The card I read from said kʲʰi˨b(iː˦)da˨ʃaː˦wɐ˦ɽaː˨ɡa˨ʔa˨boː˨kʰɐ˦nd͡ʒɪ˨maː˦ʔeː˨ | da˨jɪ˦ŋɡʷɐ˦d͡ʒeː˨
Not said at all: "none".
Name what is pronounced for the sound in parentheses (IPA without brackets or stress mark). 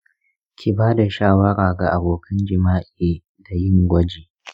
aː˦